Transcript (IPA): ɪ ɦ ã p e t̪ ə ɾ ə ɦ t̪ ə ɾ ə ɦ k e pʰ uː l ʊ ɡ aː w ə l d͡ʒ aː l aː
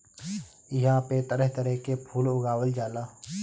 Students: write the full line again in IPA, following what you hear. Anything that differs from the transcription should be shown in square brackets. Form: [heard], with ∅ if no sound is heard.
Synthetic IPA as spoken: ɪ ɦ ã p e t̪ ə ɾ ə ɦ t̪ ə ɾ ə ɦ k e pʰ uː l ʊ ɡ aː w ə l d͡ʒ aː l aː